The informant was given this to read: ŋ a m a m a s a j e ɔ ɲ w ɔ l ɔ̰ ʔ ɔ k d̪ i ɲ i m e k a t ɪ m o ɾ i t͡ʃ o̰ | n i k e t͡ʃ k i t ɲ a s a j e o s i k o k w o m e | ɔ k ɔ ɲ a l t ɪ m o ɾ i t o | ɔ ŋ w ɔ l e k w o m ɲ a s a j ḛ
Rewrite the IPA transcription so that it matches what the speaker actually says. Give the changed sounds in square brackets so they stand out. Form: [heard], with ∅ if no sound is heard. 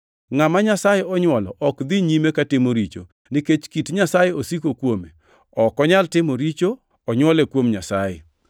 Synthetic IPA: ŋ a m a [ɲ] a s a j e ɔ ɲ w ɔ l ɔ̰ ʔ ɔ k d̪ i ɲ i m e k a t ɪ m o ɾ i t͡ʃ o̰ | n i k e t͡ʃ k i t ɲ a s a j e o s i k o k w o m e | ɔ k ɔ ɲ a l t ɪ m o ɾ i [t͡ʃ] o | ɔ [ɲ] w ɔ l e k w o m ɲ a s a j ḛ